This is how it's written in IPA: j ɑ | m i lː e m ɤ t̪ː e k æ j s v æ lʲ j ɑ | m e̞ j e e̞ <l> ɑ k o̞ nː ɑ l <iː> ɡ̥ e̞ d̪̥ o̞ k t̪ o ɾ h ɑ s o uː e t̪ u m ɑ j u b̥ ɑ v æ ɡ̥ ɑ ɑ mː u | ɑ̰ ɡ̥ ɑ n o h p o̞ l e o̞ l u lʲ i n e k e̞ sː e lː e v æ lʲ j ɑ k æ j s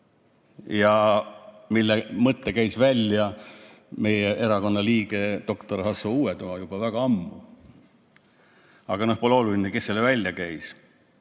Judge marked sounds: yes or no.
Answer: no, yes

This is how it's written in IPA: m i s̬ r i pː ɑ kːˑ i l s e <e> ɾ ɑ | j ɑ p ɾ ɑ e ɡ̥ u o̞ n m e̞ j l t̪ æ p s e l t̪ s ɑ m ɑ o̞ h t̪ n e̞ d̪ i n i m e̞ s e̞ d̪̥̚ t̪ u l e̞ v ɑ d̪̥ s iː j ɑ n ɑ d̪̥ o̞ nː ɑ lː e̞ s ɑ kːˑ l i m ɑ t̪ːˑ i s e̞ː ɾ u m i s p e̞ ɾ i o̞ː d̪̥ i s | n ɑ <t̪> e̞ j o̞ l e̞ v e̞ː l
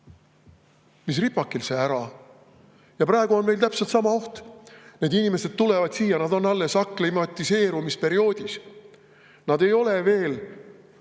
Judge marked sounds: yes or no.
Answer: no, no

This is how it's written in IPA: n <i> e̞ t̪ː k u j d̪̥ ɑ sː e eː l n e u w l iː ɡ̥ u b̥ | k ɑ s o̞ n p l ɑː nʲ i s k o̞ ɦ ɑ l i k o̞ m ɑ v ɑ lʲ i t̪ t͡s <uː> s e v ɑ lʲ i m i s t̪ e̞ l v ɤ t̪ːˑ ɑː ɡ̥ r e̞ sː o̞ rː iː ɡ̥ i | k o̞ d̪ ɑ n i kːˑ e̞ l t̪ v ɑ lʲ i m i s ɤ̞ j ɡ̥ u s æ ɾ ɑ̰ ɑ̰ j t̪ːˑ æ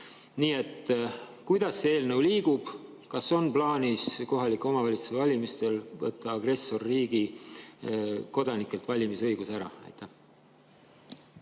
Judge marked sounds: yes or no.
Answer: no, no

